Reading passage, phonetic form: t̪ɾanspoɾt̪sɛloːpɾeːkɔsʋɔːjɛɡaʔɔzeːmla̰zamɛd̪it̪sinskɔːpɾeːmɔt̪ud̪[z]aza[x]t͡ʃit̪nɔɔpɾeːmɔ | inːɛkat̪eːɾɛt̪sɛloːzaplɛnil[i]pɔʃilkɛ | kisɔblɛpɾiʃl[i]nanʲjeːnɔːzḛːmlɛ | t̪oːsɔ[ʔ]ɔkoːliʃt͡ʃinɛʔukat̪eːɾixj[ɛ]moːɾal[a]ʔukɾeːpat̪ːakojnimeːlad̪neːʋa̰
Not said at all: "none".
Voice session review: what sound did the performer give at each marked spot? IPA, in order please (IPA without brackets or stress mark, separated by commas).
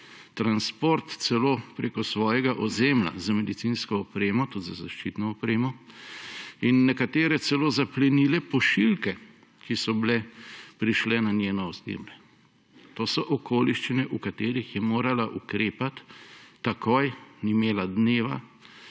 z, ʃ, ɛ, ɛ, ʔ, ɛ, a